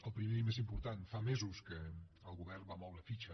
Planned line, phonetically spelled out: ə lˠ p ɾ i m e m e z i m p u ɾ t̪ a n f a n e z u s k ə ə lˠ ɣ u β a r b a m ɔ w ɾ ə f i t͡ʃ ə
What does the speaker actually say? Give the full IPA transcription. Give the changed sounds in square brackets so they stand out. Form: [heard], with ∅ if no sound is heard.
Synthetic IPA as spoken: ə lˠ p ɾ i m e m e z i m p u ɾ t̪ a n f a [m] e z u s k ə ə lˠ ɣ u β [ɛ] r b a m ɔ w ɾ ə f i t͡ʃ ə